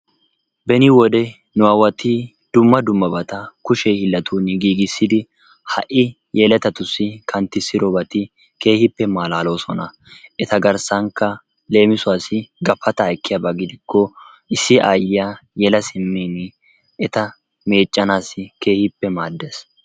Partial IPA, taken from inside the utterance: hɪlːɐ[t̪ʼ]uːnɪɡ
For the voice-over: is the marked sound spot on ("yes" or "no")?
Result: no